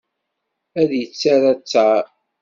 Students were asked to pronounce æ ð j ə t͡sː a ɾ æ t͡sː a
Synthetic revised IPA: æ ð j ə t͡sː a ɾ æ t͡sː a